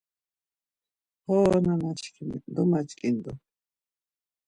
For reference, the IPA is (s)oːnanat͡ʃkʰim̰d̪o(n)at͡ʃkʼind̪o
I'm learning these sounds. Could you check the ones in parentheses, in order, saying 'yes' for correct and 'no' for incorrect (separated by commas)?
no, no